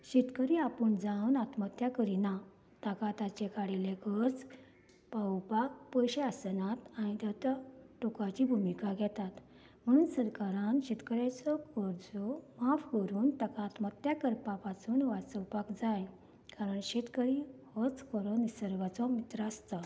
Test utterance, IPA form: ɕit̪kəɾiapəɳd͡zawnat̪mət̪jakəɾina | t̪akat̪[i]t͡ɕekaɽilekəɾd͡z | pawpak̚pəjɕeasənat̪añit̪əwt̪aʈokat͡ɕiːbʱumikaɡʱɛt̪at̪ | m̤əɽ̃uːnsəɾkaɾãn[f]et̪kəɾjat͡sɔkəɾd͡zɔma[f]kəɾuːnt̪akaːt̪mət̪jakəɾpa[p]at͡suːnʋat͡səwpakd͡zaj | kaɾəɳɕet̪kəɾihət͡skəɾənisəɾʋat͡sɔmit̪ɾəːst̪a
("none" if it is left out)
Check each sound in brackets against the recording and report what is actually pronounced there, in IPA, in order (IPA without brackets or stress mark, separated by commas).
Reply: a, ɕ, f, p